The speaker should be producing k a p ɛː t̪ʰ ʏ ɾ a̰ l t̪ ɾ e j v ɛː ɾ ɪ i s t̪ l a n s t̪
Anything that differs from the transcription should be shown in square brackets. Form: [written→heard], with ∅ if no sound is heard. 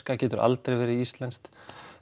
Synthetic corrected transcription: k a [p→c] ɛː [t̪ʰ→t̪] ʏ ɾ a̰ l t̪ ɾ e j v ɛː ɾ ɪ i s t̪ l [a→ɛ] n s t̪